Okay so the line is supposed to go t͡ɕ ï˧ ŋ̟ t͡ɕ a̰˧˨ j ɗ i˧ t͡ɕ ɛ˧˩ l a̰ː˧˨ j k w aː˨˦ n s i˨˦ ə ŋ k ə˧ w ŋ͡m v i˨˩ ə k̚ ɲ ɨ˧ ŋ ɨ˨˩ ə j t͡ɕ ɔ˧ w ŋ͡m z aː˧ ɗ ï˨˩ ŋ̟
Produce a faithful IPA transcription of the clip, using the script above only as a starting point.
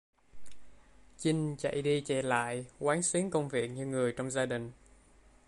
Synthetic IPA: t͡ɕ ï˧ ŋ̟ t͡ɕ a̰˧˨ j ɗ i˧ t͡ɕ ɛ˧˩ l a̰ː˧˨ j k w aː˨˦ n s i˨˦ ə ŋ k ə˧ w ŋ͡m v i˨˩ ə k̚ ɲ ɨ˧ ŋ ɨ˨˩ ə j t͡ɕ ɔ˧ w ŋ͡m z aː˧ ɗ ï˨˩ ŋ̟